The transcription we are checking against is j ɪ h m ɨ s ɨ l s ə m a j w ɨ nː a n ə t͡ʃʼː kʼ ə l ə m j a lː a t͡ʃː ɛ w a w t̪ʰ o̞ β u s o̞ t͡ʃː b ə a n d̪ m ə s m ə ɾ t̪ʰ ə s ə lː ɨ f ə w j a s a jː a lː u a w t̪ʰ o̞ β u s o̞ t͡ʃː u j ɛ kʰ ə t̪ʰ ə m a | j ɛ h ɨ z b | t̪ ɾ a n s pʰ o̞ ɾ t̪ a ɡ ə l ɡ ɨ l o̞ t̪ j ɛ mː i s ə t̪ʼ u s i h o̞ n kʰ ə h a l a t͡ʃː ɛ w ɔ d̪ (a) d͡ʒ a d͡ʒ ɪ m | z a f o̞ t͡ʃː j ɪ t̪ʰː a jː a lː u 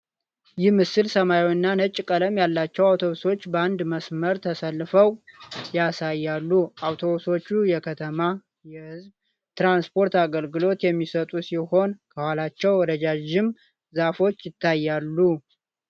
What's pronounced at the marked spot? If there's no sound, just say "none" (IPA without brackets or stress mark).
ə